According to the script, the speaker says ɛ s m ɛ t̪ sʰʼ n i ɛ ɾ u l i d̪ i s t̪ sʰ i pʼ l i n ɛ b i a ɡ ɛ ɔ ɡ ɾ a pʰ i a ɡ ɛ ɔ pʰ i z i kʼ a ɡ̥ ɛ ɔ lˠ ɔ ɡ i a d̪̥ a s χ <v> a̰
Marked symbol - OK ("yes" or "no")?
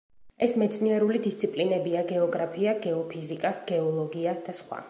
no